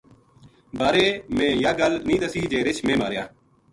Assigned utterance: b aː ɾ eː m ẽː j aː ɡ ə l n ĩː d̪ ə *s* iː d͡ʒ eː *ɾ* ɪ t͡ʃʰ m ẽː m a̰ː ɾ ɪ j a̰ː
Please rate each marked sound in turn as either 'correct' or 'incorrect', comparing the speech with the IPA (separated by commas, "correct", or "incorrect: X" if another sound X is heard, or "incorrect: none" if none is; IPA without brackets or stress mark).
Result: correct, correct